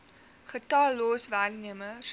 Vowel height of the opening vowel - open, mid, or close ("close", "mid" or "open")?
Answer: mid